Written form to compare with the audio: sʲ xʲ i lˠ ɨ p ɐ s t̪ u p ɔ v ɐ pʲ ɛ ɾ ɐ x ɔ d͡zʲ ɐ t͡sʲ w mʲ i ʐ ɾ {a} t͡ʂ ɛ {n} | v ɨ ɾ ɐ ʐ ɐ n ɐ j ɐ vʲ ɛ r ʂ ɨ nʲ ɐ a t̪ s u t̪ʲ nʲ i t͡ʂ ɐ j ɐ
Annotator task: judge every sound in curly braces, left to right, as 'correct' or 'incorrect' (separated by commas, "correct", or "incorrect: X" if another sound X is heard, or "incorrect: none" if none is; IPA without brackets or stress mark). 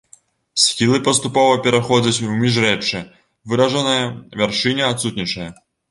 incorrect: ɛ, incorrect: none